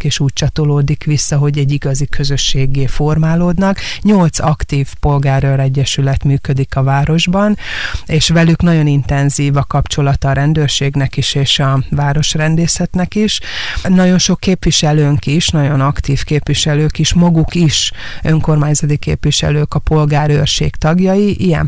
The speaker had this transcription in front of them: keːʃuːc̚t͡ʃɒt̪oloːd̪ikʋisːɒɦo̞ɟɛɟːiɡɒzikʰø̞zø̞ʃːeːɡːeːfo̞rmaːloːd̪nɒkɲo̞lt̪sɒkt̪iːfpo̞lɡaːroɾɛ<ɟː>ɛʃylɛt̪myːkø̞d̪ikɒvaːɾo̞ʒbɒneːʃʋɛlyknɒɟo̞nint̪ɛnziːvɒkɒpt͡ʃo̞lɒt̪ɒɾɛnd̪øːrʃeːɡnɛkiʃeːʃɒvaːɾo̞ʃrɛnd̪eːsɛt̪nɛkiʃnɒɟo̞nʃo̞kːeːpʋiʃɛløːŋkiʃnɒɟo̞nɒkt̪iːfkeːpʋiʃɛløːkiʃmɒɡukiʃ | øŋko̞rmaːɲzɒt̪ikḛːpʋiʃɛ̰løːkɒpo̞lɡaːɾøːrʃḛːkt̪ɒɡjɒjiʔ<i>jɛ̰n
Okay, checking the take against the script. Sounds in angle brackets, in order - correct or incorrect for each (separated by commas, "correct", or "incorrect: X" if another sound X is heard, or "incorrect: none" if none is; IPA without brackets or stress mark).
correct, correct